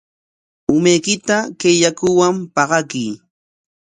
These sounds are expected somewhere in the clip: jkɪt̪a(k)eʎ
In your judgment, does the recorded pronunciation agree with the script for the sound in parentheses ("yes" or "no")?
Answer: yes